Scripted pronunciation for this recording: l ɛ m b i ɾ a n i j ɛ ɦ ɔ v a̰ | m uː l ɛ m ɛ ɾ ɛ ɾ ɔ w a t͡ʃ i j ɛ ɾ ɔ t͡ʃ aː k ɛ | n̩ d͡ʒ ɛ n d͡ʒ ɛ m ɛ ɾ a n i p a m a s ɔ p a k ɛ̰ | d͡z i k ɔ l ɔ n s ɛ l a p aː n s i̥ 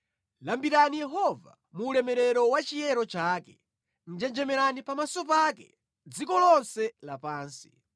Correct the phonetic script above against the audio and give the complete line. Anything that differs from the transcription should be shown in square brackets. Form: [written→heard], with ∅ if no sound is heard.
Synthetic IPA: l [ɛ→a] m b i ɾ a n i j ɛ ɦ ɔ v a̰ | m uː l ɛ m ɛ ɾ ɛ ɾ ɔ w a t͡ʃ i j ɛ ɾ ɔ t͡ʃ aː k ɛ | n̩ d͡ʒ ɛ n d͡ʒ ɛ m ɛ ɾ a n i p a m a s ɔ p a k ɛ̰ | d͡z i k ɔ l ɔ n s ɛ l a p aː n s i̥